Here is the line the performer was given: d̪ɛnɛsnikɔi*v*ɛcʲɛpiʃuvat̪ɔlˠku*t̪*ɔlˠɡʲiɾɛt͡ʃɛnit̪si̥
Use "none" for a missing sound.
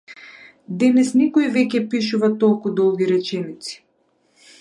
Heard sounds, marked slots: v, d̪

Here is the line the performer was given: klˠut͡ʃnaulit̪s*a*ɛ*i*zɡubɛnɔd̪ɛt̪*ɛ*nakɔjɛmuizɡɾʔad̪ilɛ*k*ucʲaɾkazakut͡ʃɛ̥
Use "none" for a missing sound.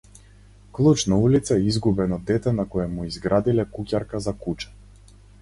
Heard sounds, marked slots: a, i, ɛ, k

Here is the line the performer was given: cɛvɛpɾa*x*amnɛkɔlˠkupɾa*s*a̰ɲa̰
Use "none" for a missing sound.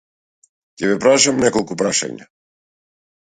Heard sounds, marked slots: ʃ, ʃ

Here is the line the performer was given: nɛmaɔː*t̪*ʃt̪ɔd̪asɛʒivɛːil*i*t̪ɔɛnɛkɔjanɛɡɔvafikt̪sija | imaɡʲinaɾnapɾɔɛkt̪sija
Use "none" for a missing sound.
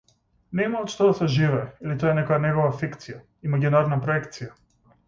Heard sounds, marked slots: t̪, i

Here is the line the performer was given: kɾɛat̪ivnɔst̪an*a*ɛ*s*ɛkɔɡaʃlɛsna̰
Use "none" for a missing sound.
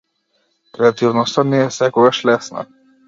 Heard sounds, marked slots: ɛ, s

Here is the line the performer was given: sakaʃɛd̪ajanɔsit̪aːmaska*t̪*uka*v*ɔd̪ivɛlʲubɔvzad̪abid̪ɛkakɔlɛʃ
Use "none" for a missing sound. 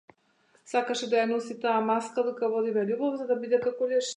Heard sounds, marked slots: d̪, v

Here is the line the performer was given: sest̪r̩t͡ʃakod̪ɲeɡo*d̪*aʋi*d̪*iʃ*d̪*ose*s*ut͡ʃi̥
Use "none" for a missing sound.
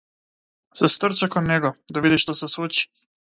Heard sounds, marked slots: d̪, d̪, t̪, s

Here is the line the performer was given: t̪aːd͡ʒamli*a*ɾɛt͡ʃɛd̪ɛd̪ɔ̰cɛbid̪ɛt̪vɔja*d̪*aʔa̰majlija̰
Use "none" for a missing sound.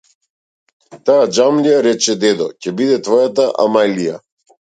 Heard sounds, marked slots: a, t̪

